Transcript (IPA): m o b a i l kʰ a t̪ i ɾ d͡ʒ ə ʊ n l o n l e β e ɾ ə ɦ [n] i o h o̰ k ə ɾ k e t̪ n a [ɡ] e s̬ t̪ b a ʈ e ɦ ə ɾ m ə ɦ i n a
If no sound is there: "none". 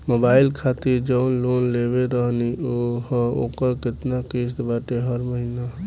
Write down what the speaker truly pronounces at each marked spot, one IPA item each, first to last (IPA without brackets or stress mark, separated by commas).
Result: n, k